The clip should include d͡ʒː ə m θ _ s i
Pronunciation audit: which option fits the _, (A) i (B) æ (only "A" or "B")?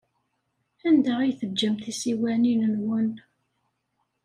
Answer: A